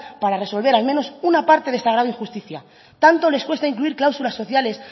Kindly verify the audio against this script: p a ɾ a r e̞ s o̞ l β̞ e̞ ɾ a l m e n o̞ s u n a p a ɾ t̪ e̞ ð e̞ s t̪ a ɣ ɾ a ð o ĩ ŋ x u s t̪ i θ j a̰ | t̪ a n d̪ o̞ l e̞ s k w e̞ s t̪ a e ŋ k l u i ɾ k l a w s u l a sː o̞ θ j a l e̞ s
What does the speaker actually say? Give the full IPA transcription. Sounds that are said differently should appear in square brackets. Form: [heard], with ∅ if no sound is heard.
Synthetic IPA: p a ɾ a r e̞ s o̞ l β̞ e̞ ɾ a l m e n o̞ s u n a p a ɾ t̪ e̞ ð e̞ s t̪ a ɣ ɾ a ð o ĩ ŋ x u s t̪ i θ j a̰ | t̪ a n [t̪] o̞ l e̞ s k w e̞ s t̪ a [i] ŋ k l u i ɾ k l a w s u l a sː o̞ θ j a l e̞ s